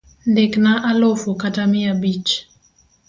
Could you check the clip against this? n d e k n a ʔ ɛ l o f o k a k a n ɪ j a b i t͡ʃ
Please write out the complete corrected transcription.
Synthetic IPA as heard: n d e k n a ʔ a l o f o k a t a m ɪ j a b i t͡ʃ